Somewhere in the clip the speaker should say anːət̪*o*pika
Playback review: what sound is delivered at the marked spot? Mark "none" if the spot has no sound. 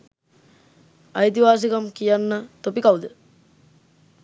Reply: o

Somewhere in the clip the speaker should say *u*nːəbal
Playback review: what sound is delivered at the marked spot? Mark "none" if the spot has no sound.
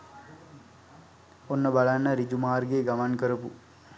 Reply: o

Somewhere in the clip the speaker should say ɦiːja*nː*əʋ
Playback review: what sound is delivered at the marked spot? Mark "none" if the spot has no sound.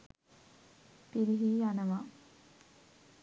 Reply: n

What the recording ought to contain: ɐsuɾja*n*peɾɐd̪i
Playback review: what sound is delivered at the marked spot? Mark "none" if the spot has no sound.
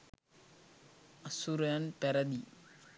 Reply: n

